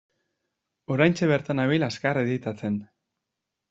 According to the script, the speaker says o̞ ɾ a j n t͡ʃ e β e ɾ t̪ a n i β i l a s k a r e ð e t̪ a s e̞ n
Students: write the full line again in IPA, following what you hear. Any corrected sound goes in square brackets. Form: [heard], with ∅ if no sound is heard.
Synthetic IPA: o̞ ɾ a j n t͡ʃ e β e ɾ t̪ a n [a] β i l a s k a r e ð [i] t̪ a [t͡s] e̞ n